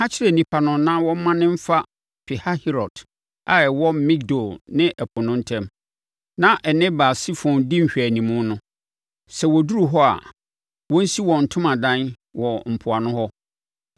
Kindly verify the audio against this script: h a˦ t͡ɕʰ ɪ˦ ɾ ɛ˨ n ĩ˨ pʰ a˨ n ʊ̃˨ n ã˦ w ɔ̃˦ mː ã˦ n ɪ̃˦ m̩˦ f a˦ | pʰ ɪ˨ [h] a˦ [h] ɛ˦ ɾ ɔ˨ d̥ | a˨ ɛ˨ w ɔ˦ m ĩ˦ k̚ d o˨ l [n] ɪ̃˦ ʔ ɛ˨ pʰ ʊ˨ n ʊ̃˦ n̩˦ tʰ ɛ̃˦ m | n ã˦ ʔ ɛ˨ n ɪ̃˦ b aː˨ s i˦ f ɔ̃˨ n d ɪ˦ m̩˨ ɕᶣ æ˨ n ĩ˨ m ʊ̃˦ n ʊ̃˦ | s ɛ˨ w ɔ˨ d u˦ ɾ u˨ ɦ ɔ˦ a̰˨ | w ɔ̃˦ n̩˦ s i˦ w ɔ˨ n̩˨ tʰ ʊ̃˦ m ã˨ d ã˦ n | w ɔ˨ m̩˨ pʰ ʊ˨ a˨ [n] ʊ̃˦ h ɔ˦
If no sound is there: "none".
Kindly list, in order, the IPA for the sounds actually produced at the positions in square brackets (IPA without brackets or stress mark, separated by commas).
h, h, n, n